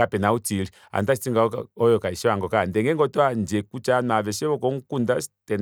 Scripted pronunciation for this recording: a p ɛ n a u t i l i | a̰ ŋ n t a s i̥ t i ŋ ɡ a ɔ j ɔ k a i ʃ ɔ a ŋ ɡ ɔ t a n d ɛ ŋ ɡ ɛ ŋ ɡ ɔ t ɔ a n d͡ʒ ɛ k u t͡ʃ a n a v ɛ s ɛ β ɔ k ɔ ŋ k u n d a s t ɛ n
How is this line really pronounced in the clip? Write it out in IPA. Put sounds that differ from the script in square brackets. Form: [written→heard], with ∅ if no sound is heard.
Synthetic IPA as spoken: a p ɛ n a u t i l i | a̰ [ŋ→∅] n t a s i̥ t i ŋ ɡ a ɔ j ɔ k a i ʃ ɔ a ŋ ɡ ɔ [t→k] a n d ɛ ŋ ɡ ɛ ŋ ɡ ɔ t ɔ a n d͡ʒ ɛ k u t͡ʃ a n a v ɛ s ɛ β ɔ k ɔ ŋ k u n d a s t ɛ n